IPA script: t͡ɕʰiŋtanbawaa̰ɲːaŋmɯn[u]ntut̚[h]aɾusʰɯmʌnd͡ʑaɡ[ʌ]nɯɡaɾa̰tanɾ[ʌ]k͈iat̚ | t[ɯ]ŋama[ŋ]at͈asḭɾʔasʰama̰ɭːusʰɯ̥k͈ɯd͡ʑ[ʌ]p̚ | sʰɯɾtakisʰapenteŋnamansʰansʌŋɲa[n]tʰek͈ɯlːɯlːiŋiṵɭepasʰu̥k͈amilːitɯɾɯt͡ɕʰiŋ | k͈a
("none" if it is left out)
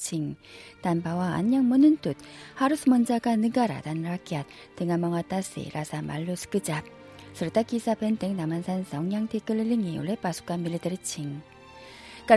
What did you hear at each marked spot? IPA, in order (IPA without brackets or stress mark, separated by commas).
ɯ, h, a, a, ɯ, ŋ, a, ŋ